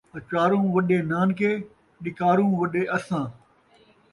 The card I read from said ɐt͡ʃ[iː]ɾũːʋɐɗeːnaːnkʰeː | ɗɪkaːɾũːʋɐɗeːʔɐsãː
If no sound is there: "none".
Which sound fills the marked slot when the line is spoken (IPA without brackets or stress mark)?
aː